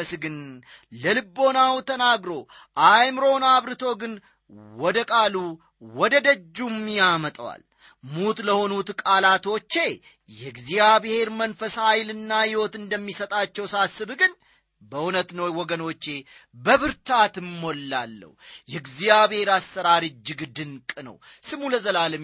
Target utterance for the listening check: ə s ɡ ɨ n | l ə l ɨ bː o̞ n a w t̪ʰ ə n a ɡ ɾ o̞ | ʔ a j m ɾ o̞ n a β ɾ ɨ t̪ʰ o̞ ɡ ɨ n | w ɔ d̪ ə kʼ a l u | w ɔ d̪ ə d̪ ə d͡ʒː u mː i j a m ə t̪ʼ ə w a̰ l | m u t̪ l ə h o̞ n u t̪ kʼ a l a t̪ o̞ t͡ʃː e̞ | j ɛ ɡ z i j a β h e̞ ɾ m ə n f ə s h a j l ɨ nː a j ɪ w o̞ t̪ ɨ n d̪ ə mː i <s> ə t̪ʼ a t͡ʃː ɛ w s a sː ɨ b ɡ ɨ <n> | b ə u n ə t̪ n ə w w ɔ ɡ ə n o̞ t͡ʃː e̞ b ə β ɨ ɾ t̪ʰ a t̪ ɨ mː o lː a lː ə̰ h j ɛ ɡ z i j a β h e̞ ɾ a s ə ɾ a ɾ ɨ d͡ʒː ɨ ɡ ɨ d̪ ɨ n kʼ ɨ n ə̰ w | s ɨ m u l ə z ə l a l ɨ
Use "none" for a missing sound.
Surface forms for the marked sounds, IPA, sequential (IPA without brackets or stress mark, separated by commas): s, n